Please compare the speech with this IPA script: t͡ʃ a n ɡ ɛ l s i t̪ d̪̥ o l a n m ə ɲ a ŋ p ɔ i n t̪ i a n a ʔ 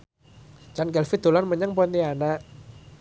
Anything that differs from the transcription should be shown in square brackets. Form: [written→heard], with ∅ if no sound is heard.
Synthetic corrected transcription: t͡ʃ a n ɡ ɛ l [s→f] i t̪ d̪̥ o l a n m ə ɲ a ŋ p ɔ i n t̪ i a n a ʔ